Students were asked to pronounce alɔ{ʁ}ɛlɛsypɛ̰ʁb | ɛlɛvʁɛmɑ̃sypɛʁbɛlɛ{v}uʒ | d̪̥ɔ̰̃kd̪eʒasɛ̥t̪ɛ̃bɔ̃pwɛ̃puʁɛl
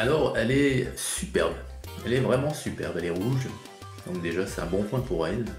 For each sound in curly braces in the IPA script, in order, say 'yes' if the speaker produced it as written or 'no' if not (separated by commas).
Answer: yes, no